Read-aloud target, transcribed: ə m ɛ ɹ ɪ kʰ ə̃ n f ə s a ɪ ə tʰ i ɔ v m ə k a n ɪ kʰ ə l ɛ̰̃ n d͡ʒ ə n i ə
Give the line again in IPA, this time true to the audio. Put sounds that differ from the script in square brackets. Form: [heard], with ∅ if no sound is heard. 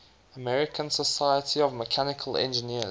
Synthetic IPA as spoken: ə m ɛ ɹ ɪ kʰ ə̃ n [s] ə s a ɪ ə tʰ i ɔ v m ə [kʰ] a n ɪ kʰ ə l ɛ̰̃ n d͡ʒ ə n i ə